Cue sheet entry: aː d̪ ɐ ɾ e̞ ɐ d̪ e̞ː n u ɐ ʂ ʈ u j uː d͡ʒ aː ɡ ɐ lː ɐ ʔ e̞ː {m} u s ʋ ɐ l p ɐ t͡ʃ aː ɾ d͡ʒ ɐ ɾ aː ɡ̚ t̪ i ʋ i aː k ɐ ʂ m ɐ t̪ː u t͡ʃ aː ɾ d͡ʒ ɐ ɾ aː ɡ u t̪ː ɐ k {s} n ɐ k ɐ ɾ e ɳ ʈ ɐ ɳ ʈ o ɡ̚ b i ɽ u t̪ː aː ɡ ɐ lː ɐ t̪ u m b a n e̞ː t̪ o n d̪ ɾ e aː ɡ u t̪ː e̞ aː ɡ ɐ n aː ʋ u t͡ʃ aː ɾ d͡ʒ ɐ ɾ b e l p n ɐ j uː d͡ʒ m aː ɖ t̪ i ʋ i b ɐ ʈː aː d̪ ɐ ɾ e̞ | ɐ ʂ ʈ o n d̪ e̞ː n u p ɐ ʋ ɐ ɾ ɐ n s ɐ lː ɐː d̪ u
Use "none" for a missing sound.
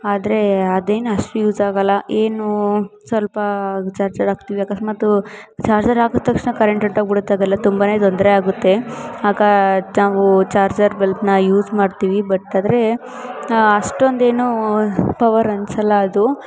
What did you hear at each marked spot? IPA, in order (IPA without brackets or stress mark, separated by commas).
n, ʂ